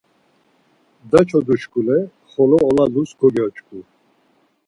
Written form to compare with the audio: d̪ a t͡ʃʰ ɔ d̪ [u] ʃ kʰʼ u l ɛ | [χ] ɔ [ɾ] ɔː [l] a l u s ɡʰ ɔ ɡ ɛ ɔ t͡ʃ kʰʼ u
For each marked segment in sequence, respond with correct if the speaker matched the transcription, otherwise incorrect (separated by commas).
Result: correct, correct, incorrect, correct